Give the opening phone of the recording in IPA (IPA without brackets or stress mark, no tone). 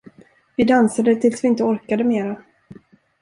v